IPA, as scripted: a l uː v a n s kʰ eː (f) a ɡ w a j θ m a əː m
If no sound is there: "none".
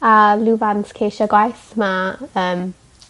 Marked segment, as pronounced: ʃ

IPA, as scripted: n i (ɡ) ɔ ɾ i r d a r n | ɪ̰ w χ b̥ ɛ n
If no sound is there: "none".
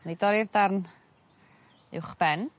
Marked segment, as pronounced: d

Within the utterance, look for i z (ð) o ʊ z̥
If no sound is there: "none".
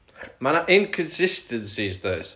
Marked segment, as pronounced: ð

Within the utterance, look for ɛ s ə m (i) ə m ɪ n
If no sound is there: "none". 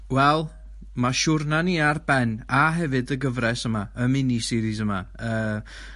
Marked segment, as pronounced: a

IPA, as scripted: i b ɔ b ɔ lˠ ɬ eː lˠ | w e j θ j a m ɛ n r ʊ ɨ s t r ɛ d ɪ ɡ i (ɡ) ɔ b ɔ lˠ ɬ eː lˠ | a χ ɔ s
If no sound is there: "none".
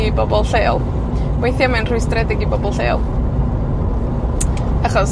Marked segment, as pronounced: b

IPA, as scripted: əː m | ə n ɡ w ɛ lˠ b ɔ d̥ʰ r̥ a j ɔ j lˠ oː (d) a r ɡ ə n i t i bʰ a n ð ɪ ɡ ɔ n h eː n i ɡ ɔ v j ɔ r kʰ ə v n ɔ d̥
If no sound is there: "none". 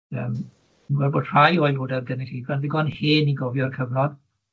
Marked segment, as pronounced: d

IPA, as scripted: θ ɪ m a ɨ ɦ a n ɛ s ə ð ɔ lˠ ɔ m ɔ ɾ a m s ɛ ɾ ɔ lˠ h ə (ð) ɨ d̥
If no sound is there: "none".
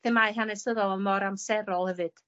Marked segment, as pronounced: v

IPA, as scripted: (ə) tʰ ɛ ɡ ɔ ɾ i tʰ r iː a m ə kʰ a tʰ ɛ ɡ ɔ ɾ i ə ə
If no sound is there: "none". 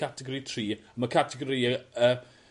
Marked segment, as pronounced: a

